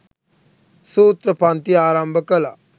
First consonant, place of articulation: alveolar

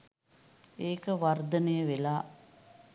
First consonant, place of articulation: velar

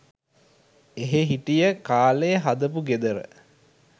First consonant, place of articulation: glottal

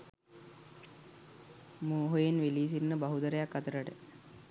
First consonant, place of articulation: labial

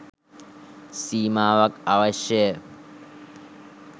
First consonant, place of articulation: alveolar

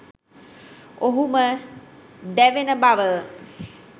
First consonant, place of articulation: glottal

